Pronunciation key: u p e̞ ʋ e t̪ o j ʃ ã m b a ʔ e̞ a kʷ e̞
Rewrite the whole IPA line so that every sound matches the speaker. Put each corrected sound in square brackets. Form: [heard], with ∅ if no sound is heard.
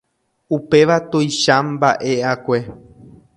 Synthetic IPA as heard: u p e̞ ʋ [a] t̪ o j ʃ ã m b a ʔ e̞ a kʷ e̞